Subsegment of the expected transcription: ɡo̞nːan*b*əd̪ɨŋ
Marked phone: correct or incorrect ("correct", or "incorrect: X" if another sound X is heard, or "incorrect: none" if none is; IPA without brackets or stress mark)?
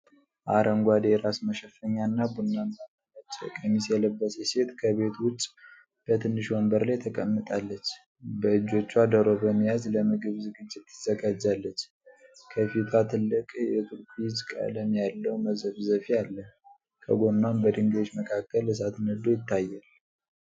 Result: correct